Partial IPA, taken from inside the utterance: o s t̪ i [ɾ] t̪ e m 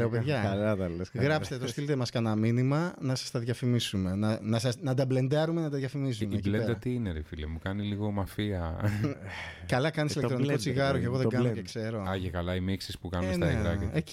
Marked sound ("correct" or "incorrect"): incorrect